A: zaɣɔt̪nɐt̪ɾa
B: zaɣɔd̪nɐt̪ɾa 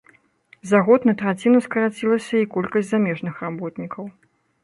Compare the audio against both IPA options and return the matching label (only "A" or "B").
A